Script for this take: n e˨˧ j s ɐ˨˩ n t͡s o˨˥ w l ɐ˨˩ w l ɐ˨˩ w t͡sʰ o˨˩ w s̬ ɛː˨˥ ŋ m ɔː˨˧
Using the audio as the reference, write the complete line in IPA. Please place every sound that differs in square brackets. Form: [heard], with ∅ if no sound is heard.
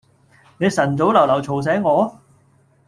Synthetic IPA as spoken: n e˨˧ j s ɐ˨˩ n t͡s o˨˥ w l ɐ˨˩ w l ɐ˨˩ w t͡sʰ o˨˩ w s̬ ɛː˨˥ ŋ [ŋ] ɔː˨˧